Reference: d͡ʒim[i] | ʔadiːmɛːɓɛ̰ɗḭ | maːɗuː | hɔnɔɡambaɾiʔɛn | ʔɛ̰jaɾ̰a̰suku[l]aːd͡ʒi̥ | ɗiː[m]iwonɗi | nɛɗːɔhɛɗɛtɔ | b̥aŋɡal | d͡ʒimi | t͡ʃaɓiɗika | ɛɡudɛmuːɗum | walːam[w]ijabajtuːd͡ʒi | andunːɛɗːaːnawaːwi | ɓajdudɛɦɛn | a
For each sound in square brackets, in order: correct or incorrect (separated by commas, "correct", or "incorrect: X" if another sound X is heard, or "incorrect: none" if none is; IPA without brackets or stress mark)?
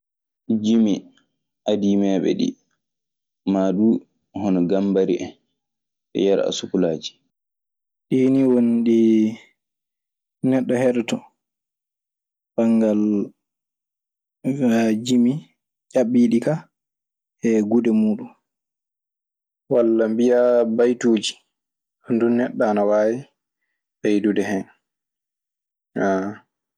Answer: correct, correct, incorrect: n, incorrect: b